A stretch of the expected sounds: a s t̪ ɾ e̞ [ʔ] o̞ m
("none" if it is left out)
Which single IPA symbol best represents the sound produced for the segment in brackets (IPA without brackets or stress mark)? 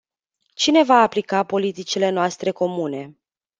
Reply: k